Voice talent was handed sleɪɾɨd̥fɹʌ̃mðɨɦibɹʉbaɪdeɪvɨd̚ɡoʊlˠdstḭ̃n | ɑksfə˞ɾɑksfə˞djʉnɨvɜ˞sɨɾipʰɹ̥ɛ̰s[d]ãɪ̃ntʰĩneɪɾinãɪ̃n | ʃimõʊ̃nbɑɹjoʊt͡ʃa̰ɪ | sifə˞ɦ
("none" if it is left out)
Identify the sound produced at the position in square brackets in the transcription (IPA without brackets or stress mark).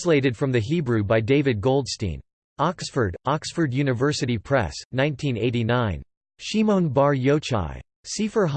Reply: n